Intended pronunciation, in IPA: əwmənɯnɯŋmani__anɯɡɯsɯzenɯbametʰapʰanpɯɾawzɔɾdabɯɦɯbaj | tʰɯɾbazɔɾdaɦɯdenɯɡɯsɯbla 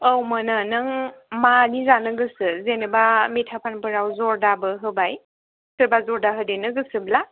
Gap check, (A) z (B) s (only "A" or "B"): A